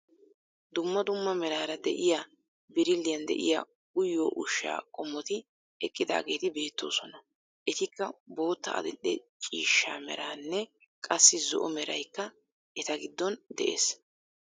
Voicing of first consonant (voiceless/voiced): voiced